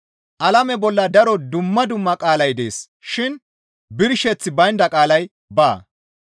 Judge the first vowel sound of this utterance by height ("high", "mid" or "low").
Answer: low